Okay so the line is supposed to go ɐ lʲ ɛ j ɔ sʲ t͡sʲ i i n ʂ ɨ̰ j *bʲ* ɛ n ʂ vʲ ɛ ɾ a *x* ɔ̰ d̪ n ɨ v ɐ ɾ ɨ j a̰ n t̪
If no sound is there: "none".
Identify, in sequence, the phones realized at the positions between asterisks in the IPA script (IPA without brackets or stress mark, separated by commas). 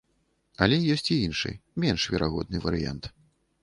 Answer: mʲ, ɣ